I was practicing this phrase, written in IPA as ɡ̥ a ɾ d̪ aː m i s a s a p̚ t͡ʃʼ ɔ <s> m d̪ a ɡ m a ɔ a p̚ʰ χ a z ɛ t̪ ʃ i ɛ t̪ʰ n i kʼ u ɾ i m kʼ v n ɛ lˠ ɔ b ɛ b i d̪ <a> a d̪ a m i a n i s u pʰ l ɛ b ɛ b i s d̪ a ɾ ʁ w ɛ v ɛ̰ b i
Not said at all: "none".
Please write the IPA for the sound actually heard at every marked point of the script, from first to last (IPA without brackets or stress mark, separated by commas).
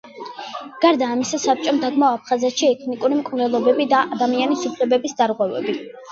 none, a